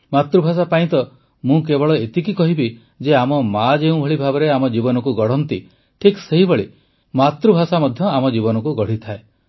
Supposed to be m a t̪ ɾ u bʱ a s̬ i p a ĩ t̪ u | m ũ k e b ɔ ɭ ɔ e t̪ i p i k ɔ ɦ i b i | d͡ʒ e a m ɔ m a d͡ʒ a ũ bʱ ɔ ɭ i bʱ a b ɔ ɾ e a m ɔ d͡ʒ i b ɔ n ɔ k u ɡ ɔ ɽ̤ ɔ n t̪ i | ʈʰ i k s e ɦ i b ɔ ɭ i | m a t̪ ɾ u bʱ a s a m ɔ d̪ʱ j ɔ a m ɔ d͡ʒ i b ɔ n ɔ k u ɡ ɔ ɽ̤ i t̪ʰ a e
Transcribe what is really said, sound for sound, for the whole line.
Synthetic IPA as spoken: m a t̪ ɾ u bʱ a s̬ a p a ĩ t̪ ɔ | m ũ k e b ɔ ɭ ɔ e t̪ i k i k ɔ ɦ i b i | d͡ʒ e a m ɔ m a d͡ʒ e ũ bʱ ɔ ɭ i bʱ a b ɔ ɾ e a m ɔ d͡ʒ i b ɔ n ɔ k u ɡ ɔ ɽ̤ ɔ n t̪ i | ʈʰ i k s e ɦ i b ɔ ɭ i | m a t̪ ɾ u bʱ a s a m ɔ d̪ʱ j ɔ a m ɔ d͡ʒ i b ɔ n ɔ k u ɡ ɔ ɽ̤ i t̪ʰ a e